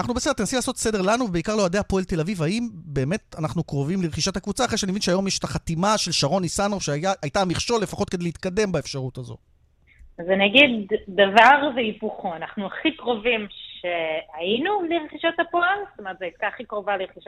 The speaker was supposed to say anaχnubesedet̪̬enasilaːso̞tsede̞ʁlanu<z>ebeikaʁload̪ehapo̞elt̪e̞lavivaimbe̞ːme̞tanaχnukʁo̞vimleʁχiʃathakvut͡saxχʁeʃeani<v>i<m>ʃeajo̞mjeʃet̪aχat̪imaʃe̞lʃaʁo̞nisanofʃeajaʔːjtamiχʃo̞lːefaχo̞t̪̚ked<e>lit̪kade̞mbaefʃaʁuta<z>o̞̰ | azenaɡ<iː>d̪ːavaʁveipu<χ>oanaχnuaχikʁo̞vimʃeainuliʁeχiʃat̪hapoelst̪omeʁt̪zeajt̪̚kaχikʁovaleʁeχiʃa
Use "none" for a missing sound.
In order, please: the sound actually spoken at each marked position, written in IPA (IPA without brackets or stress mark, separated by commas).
v, v, n, e, z, i, χ